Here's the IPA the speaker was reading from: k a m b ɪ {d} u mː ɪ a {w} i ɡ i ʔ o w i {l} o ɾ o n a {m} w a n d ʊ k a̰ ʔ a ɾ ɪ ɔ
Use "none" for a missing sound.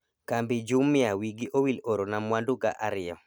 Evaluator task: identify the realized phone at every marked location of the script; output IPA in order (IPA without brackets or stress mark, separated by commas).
d͡ʒ, w, l, m